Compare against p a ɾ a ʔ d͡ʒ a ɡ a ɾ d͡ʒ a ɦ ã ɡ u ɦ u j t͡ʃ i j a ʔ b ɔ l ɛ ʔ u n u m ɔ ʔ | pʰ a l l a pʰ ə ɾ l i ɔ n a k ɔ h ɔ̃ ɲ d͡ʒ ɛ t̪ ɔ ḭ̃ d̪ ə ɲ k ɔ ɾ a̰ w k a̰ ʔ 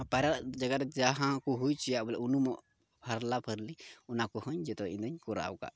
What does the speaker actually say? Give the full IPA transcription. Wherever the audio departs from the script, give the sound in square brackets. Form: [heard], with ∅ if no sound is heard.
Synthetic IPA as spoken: p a ɾ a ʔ d͡ʒ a ɡ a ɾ d͡ʒ a ɦ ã [k] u ɦ u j t͡ʃ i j a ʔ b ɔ l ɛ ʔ u n u m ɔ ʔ | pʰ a [ɾ] l a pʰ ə ɾ l i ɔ n a k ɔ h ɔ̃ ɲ d͡ʒ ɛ t̪ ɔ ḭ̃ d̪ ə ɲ k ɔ ɾ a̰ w k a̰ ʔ